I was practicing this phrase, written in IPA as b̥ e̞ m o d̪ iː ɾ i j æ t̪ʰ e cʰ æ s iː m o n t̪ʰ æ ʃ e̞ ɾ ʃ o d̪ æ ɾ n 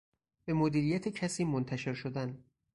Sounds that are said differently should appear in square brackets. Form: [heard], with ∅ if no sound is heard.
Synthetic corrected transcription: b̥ e̞ m o d̪ iː ɾ i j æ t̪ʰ e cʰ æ s iː m o n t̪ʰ æ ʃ e̞ ɾ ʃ o d̪ æ [∅] n